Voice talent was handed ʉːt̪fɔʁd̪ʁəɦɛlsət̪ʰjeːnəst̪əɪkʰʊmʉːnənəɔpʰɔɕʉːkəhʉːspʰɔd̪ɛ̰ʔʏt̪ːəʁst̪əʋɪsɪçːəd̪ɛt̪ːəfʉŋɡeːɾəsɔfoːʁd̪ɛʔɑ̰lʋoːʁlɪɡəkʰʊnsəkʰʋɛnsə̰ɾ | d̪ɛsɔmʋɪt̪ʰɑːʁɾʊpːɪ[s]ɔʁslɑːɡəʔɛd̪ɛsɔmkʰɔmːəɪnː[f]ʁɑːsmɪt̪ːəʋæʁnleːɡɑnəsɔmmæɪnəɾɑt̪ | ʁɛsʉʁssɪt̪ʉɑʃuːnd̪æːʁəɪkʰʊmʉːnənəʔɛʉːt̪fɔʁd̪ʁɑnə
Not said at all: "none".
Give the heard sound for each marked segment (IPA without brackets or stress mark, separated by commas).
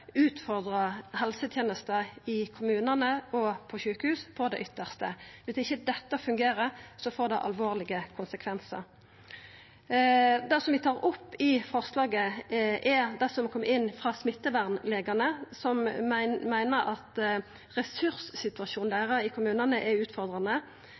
f, f